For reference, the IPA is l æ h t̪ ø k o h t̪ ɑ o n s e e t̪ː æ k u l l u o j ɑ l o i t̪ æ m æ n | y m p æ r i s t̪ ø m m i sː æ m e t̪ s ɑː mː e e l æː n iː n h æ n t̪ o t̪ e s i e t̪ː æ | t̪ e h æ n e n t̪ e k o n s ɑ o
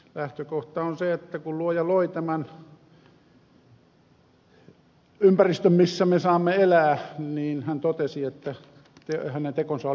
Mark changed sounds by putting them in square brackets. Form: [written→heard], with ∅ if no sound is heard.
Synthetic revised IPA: l æ h t̪ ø k o h t̪ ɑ o n s e e t̪ː æ k u l l u o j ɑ l o i t̪ æ m æ n | y m p æ r i s t̪ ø m m i sː æ m e [t̪→∅] s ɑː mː e e l æː n iː n h æ n t̪ o t̪ e s i e t̪ː æ | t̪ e h æ n e n t̪ e k o n s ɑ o